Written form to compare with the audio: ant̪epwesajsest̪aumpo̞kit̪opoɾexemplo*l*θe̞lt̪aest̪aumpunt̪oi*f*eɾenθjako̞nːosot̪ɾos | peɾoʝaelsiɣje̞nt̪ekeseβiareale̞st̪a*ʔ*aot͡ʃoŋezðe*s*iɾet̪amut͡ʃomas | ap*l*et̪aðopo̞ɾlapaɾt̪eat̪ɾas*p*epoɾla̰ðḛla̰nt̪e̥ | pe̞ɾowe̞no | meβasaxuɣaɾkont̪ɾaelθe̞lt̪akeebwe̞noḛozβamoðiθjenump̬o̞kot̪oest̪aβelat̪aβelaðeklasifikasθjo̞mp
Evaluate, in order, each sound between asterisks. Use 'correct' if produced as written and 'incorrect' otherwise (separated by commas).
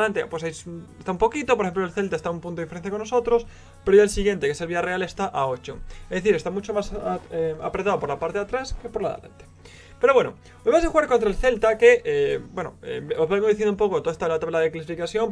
correct, correct, correct, incorrect, incorrect, incorrect